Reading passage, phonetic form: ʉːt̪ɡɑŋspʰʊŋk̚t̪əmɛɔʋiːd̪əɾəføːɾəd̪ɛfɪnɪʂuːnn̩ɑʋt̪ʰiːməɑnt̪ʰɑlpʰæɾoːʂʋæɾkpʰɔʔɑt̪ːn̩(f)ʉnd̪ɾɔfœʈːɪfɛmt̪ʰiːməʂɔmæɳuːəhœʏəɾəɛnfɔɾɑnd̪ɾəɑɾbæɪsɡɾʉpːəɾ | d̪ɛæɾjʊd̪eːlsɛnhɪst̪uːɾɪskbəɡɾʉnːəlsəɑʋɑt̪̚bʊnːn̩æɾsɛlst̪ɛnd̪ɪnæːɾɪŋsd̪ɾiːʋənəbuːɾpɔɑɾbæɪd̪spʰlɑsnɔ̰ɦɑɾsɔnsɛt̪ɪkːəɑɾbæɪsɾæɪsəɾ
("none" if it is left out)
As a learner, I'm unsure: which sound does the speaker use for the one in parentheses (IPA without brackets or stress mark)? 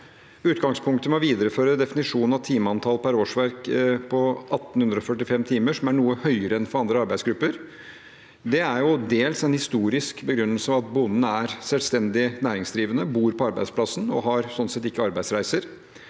h